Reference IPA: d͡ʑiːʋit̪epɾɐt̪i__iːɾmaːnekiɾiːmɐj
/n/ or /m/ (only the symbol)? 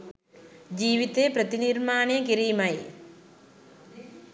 n